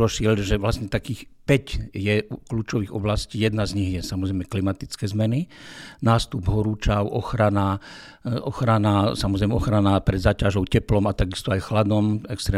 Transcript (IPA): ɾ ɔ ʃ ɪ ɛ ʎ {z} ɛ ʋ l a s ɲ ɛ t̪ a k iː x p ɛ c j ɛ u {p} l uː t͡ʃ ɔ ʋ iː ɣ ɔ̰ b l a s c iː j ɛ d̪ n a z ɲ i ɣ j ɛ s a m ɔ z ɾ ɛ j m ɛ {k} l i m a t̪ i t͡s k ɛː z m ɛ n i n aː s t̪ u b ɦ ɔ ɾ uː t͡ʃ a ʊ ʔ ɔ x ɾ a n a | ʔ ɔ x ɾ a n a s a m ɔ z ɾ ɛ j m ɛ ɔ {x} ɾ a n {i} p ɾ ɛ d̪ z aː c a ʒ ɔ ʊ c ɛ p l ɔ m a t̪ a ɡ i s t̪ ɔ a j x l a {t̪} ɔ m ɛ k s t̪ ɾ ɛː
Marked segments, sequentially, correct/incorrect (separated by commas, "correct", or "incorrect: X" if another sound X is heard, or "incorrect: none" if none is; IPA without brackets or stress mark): incorrect: ʒ, incorrect: k, correct, correct, incorrect: a, incorrect: d̪